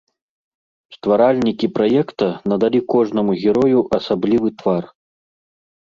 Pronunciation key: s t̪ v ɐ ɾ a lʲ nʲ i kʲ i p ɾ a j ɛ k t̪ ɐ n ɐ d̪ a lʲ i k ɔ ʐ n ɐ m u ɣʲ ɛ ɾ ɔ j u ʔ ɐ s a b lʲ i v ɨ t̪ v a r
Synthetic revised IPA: s t̪ v a ɾ a lʲ nʲ i kʲ i p ɾ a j ɛ k t̪ ɐ n ɐ d̪ a lʲ i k ɔ ʐ n ɐ m u ɣʲ ɛ ɾ ɔ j u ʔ ɐ s a b lʲ i v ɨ t̪ v a r